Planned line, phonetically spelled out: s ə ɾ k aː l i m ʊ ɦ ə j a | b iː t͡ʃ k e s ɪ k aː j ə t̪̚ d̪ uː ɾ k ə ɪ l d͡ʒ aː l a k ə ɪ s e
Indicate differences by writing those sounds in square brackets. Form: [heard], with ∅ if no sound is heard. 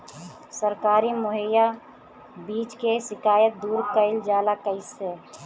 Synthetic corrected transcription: s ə ɾ k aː [ɾ] i m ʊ ɦ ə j a | b iː t͡ʃ k e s ɪ k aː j ə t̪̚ d̪ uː ɾ k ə ɪ l d͡ʒ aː l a k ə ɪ s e